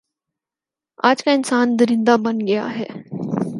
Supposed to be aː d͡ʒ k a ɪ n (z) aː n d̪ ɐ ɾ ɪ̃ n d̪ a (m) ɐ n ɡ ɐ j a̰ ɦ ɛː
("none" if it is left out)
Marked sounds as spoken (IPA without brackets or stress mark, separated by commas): s, b